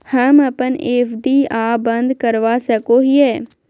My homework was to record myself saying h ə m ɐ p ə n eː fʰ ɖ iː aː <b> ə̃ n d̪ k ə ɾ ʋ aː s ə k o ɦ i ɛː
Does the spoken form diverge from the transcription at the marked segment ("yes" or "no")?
no